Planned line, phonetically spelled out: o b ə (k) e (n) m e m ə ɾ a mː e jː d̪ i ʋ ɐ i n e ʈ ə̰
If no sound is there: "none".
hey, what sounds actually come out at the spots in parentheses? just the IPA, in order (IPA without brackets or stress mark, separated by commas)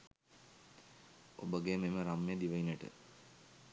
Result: ɡ, none